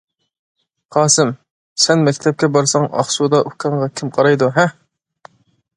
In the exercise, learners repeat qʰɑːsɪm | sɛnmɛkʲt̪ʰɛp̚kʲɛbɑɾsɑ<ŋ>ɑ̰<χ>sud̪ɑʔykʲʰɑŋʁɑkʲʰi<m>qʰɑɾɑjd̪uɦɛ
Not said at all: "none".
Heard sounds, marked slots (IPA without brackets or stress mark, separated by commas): ŋ, χ, m